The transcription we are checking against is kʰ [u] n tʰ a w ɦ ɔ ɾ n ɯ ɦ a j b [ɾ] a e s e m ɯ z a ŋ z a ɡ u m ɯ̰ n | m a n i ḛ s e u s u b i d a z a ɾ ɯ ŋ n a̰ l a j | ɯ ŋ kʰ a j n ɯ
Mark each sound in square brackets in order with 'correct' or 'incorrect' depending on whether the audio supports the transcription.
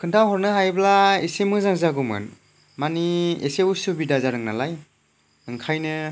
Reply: incorrect: ɯ, incorrect: l

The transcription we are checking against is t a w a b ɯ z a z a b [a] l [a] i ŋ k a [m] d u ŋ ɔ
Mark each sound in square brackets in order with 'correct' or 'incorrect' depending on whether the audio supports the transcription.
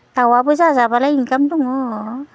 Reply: correct, correct, correct

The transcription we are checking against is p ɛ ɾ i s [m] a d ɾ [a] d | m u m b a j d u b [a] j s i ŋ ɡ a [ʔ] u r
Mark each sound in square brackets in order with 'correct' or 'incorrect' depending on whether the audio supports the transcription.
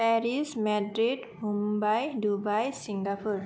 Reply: correct, incorrect: i, correct, incorrect: p

